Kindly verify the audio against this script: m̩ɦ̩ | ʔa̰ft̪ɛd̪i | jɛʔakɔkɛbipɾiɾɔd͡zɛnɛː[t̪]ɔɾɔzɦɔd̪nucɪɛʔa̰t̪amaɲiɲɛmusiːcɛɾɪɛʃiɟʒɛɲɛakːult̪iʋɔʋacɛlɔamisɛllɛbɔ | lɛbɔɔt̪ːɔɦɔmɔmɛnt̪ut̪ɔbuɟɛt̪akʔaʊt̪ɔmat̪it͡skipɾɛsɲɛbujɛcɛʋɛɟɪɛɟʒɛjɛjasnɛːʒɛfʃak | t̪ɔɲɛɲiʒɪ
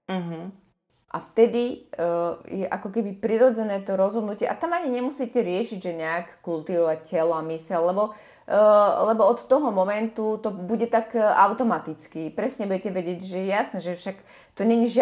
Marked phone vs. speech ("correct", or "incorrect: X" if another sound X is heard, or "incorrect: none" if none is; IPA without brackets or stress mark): correct